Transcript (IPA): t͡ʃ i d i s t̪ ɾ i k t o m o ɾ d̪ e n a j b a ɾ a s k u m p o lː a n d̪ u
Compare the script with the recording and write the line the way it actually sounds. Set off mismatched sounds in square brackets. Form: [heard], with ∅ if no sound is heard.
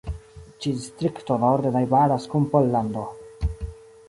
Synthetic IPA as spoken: t͡ʃ i d i s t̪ ɾ i k t o [n] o ɾ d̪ e n a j b a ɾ a s k u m p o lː a n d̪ [o]

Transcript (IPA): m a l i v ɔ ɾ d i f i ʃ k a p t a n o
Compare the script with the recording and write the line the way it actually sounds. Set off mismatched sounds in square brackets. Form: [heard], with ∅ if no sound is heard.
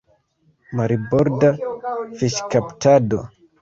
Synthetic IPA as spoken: m a [ɾ] i [b] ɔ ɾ d [a] f i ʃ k a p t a [d] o

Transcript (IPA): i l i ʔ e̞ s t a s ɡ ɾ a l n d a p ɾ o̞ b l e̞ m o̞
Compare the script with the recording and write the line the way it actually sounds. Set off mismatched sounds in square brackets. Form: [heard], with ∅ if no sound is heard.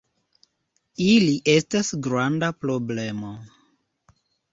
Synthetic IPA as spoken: i l i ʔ e̞ s t a s ɡ ɾ a [∅] n d a p ɾ o̞ b l e̞ m o̞

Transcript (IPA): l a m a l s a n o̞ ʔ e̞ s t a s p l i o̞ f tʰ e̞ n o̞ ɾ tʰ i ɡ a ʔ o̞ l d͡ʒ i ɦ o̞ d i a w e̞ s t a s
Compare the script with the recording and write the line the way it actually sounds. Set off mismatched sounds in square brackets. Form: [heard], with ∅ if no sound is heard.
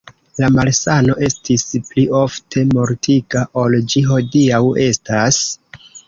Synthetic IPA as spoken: l a m a l s a n o̞ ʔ e̞ s t [i] s p l i o̞ f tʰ e̞ [m] o̞ ɾ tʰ i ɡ a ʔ o̞ l d͡ʒ i ɦ o̞ d i a w e̞ s t a s

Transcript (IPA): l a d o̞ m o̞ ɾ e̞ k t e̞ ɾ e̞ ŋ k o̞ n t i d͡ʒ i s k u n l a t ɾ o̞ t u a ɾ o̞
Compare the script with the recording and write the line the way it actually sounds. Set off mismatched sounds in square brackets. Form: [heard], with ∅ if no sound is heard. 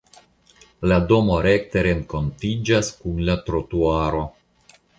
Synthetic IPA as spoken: l a d o̞ m o̞ ɾ e̞ k t e̞ ɾ e̞ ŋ k o̞ n t i d͡ʒ [a] s k u n l a t ɾ o̞ t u a ɾ o̞

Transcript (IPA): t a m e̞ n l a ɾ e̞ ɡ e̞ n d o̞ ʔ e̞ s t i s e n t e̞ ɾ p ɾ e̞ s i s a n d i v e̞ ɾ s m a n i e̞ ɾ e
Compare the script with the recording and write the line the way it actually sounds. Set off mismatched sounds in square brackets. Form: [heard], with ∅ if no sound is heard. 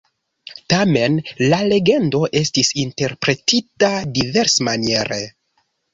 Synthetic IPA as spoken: t a m e̞ n l a [l] e̞ ɡ e̞ n d o̞ ʔ e̞ s t i s [i] n t e̞ ɾ p ɾ e̞ [t] i [t] a [∅] d i v e̞ ɾ s m a n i e̞ ɾ e

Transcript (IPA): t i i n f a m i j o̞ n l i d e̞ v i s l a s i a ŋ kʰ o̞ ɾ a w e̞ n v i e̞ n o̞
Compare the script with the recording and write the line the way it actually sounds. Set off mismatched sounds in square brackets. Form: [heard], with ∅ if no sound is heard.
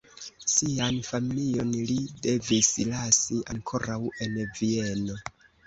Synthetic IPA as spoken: [s] i [a] n f a m i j o̞ n l i d e̞ v i s l a s i a ŋ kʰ o̞ ɾ a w e̞ n v i e̞ n o̞

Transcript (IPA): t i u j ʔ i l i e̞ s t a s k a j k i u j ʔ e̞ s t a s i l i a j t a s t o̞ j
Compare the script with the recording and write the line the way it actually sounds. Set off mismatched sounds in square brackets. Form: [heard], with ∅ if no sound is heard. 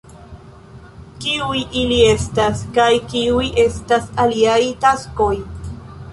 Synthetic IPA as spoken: [k] i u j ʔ i l i e̞ s t a s k a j k i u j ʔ e̞ s t a s [a] l i a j t a s [k] o̞ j

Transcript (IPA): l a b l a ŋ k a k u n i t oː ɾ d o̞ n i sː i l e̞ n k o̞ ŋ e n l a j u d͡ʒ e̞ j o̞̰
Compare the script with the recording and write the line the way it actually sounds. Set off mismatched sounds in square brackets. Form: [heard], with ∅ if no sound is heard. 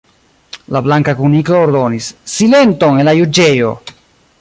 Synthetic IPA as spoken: l a b l a ŋ k a k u n i [k] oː ɾ d o̞ n i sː i l e̞ n [t] o̞ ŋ e n l a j u d͡ʒ e̞ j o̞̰

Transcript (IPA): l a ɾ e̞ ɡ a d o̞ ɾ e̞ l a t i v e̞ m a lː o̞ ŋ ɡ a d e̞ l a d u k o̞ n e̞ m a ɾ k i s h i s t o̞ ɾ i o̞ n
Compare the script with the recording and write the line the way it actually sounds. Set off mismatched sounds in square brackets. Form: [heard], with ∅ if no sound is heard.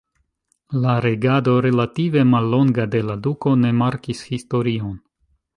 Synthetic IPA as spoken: l a ɾ e̞ ɡ a d o̞ ɾ e̞ l a t i v e̞ m a lː o̞ ŋ ɡ a d e̞ l a d u k o̞ n e̞ m a ɾ k i s h i s t o̞ ɾ i o̞ n

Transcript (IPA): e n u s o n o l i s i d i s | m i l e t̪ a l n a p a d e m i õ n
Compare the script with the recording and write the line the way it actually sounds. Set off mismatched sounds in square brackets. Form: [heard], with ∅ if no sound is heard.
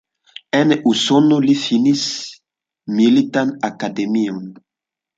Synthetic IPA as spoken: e n u s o n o l i [f] i [n] i s | m i l [i] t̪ a [∅] n a [k] a d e m i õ n

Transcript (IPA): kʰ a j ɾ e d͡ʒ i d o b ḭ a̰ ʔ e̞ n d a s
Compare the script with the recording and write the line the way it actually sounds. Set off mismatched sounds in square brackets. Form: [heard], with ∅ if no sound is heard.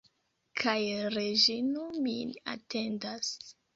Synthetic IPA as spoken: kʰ a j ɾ e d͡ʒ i [n] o [m] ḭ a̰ [t] e̞ n d a s

